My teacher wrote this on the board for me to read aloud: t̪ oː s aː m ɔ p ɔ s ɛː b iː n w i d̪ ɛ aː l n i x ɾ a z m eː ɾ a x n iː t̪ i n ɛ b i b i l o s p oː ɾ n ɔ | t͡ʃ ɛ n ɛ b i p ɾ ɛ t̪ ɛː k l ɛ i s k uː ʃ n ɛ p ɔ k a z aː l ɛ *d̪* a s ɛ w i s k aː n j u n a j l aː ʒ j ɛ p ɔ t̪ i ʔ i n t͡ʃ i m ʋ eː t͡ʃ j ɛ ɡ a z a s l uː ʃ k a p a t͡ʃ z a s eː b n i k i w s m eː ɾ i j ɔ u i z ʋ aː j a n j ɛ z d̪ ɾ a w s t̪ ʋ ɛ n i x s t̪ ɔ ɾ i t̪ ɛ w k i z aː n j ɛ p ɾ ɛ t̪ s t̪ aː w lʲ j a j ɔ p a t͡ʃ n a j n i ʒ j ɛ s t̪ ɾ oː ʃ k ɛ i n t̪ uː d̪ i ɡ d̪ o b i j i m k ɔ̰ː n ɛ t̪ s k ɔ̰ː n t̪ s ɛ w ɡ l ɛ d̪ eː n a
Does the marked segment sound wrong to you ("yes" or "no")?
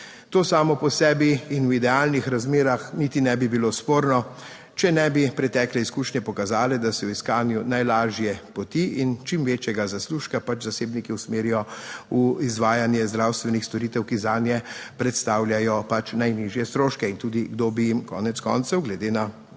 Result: no